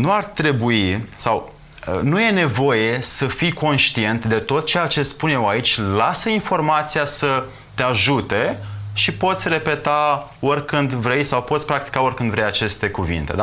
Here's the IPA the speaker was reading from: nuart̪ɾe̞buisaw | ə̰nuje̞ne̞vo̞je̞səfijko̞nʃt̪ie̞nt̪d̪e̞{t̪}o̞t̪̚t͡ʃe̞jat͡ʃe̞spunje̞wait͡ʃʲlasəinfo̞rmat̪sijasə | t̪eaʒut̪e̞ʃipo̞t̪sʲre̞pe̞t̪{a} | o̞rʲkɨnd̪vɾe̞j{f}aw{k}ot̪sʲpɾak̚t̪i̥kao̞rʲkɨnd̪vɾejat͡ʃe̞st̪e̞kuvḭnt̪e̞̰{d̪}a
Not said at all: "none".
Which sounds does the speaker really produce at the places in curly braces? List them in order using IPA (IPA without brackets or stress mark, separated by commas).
t̪, a, s, p, d̪